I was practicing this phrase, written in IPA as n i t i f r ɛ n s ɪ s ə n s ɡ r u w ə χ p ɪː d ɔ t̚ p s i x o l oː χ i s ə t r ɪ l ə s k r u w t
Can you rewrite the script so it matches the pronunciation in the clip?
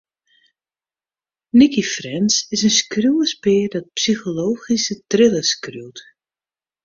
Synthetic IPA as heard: n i k i f r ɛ n s ɪ s ə n s k r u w ə s p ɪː d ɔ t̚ p s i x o l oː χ i s ə t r ɪ l ə s k r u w t